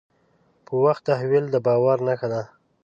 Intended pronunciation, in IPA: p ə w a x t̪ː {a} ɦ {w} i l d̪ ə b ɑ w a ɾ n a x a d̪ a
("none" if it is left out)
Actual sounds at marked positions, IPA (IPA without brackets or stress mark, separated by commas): a, w